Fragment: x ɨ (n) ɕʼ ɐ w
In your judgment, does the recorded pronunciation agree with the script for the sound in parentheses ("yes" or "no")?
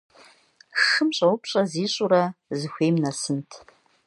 no